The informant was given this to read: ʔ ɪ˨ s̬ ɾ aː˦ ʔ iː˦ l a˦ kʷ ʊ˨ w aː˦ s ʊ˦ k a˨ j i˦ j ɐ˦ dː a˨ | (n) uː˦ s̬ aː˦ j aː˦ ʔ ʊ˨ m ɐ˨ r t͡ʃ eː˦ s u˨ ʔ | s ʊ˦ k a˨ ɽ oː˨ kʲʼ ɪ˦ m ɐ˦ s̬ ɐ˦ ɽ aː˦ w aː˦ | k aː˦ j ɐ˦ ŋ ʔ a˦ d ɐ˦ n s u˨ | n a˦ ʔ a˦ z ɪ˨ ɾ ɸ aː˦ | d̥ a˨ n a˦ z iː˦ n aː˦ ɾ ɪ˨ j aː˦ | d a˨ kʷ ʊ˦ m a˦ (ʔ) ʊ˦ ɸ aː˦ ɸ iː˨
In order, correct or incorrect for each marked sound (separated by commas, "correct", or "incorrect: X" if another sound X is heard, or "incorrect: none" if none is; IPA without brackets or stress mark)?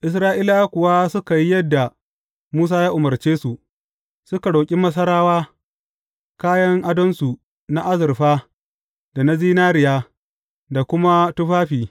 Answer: incorrect: m, incorrect: t